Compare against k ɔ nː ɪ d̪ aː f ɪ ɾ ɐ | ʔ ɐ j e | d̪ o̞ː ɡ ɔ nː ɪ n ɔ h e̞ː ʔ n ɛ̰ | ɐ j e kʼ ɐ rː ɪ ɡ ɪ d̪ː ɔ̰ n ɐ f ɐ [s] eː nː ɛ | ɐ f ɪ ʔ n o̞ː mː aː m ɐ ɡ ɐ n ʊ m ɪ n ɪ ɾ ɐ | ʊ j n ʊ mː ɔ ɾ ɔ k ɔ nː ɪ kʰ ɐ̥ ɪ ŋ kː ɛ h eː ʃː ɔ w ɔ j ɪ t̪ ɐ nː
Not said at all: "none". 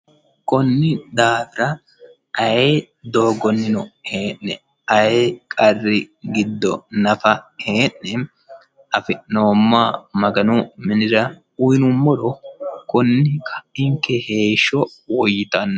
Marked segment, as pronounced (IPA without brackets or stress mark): h